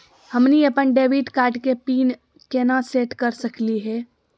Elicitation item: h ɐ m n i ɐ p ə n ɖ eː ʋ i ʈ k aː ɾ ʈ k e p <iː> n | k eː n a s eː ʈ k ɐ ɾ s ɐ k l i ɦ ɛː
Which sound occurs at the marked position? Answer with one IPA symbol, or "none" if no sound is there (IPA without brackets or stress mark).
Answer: iː